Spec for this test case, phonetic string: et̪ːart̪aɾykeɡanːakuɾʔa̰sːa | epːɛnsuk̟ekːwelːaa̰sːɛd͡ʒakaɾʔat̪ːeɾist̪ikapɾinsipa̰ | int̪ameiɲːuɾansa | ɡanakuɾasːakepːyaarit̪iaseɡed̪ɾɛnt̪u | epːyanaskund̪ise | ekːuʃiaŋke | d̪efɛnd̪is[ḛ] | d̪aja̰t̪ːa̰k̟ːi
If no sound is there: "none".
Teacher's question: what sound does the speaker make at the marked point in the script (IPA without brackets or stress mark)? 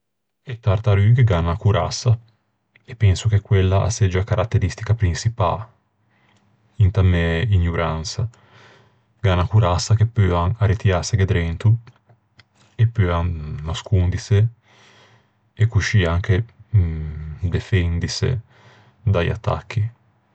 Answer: ḛ